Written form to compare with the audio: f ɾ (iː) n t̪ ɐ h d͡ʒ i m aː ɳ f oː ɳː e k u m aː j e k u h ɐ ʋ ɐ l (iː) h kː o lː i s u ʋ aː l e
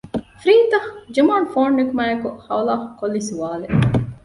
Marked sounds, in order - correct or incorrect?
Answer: correct, incorrect

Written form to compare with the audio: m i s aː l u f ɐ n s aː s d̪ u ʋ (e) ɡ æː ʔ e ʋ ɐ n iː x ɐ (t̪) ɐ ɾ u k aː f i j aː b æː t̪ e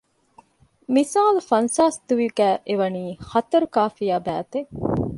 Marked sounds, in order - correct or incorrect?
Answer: incorrect, correct

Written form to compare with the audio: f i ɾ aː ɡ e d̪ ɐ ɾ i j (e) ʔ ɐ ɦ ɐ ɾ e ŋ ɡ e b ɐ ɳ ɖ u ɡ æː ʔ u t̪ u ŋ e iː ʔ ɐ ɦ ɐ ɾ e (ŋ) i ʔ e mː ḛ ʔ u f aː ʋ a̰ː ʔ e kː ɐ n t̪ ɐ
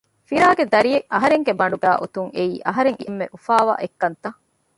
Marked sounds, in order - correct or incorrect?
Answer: correct, correct

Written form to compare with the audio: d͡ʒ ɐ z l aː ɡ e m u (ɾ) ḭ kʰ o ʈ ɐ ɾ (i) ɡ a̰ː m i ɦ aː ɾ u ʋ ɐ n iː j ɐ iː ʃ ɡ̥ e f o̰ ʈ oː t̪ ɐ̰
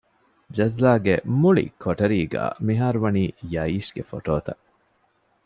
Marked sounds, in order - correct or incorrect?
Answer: incorrect, incorrect

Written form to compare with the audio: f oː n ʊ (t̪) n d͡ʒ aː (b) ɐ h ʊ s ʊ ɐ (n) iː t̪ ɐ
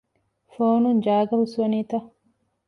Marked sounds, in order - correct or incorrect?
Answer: incorrect, incorrect, correct

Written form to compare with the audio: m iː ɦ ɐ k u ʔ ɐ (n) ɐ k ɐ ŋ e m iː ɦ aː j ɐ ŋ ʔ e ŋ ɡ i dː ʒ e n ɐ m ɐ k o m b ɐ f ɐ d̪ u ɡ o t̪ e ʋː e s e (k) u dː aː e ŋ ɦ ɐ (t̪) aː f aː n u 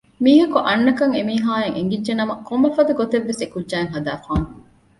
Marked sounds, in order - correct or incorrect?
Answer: incorrect, correct, incorrect

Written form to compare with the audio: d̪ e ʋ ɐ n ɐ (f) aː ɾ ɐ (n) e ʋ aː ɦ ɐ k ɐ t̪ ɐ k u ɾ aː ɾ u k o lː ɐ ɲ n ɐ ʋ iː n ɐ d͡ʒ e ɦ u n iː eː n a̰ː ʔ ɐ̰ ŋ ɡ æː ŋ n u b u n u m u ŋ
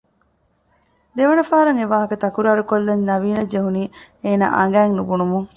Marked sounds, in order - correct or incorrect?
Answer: correct, incorrect

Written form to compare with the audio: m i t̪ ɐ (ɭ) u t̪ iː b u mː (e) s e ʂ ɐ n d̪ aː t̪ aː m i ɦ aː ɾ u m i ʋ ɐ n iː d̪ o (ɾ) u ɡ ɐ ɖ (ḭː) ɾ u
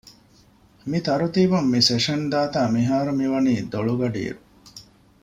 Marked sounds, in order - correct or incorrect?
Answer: incorrect, incorrect, incorrect, correct

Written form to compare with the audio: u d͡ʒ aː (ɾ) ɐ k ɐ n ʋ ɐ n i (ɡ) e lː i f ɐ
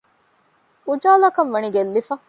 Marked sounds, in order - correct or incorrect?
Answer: incorrect, correct

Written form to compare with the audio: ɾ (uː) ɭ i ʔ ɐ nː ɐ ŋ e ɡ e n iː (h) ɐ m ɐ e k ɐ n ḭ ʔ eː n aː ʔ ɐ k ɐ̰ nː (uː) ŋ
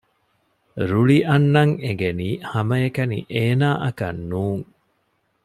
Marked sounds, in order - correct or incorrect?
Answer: incorrect, correct, correct

